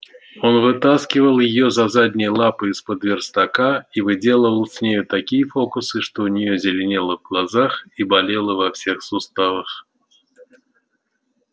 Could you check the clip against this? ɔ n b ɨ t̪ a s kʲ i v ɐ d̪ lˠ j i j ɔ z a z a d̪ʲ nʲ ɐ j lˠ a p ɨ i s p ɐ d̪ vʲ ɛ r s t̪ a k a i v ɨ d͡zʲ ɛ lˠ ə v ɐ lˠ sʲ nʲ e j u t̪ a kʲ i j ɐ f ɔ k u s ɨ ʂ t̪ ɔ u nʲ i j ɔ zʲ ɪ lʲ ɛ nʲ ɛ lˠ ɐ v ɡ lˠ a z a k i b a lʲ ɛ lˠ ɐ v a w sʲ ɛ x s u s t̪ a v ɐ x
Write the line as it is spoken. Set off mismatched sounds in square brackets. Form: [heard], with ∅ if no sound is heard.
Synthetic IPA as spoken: ɔ n [v] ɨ t̪ a s kʲ i v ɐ [∅] lˠ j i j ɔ z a z a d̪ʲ nʲ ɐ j lˠ a p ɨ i s p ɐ d̪ vʲ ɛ r s t̪ a k a i v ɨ d͡zʲ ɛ lˠ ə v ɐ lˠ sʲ nʲ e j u t̪ a kʲ i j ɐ f ɔ k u s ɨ ʂ t̪ ɔ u nʲ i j ɔ zʲ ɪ lʲ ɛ nʲ ɛ lˠ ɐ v ɡ lˠ a z a [x] i b a lʲ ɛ lˠ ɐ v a w sʲ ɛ x s u s t̪ a v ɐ x